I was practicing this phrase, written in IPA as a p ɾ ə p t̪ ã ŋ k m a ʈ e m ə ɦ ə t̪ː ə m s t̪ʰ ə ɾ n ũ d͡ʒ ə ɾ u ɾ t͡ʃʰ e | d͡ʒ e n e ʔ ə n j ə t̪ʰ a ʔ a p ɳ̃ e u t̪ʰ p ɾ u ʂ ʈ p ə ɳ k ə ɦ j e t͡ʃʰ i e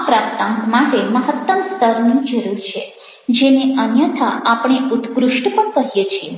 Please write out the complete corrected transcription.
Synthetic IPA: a p ɾ a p t̪ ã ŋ k m a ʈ e m ə ɦ ə t̪ː ə m s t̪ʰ ə ɾ n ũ d͡ʒ ə ɾ u ɾ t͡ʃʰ e | d͡ʒ e n e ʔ ə n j ə t̪ʰ a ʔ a p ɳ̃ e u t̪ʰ k ɾ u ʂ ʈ p ə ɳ k ə ɦ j e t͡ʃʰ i e

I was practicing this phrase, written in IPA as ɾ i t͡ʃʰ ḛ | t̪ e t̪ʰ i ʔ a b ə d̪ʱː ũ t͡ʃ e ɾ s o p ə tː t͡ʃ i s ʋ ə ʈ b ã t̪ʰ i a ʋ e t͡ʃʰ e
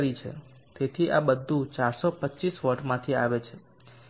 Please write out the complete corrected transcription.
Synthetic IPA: ɾ i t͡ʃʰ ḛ | t̪ e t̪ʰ i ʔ a b ə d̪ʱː ũ t͡ʃ a ɾ s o p ə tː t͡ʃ i s ʋ ə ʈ m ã t̪ʰ i a ʋ e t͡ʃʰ e

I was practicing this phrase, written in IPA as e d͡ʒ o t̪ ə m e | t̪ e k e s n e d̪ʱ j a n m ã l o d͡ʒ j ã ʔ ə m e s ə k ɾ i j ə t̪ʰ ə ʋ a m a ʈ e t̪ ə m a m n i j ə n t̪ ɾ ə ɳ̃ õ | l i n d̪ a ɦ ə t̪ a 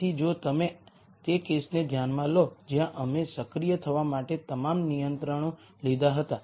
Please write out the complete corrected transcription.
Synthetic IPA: i d͡ʒ o t̪ ə m e | t̪ e k e s n e d̪ʱ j a n m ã l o d͡ʒ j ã ʔ ə m e s ə k ɾ i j ə t̪ʰ ə ʋ a m a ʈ e t̪ ə m a m n i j ə n t̪ ɾ ə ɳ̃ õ | l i d̪ a ɦ ə t̪ a

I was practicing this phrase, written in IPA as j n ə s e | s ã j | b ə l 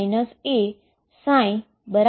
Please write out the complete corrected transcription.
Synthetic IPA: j n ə s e | s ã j | b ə ɾ

